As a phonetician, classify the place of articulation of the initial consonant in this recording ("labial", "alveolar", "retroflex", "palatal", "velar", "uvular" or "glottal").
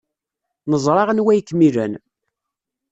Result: alveolar